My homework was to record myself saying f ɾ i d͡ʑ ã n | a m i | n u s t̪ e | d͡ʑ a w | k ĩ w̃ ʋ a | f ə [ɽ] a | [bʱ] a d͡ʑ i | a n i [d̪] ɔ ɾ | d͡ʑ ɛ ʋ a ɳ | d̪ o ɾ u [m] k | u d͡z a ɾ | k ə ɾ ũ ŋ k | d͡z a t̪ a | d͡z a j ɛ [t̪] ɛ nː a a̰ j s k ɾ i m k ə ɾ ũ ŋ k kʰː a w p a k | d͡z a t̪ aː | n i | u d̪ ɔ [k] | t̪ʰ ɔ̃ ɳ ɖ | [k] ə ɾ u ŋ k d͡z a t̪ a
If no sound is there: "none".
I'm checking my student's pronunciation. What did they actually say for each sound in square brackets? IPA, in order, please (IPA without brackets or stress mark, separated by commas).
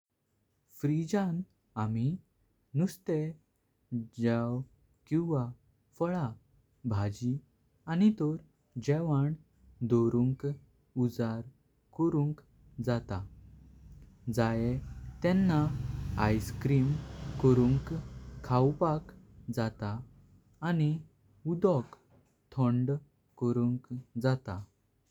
ɭ, bʱ, t̪, ŋ, t̪, k, k